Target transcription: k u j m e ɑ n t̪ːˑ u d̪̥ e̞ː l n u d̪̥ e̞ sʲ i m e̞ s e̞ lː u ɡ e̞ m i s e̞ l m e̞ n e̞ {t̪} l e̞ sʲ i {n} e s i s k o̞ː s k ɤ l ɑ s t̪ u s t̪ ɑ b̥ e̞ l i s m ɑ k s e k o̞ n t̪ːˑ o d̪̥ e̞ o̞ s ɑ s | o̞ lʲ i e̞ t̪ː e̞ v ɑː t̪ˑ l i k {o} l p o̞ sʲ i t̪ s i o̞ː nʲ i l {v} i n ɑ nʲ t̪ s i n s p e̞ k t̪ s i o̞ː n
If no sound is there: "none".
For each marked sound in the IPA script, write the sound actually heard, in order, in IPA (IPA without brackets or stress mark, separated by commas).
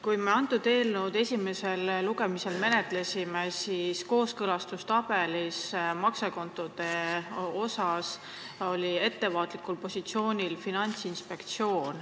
t̪, m, u, f